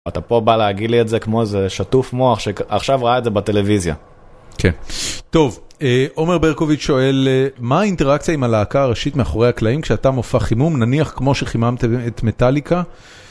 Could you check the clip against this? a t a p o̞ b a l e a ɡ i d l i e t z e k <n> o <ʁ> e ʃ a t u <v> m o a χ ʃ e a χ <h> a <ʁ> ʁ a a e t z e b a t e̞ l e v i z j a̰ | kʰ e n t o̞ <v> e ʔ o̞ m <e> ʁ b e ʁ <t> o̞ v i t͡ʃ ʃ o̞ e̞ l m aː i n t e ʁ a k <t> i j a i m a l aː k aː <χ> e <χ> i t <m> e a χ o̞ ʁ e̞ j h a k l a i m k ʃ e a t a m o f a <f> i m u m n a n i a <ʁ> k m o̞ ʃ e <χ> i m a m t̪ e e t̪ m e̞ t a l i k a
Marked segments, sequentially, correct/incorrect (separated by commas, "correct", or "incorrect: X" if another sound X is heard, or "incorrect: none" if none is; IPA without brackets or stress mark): incorrect: m, incorrect: z, incorrect: f, incorrect: ʃ, incorrect: v, correct, correct, incorrect: k, incorrect: t͡s, incorrect: ʁ, incorrect: ʃ, correct, incorrect: χ, incorrect: χ, correct